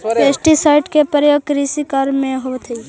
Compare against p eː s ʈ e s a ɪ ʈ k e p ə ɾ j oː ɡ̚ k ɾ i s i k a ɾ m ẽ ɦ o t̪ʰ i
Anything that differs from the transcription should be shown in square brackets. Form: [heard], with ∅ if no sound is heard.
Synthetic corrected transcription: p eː s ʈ [i] s a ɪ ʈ k e p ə ɾ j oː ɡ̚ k ɾ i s i k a ɾ m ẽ ɦ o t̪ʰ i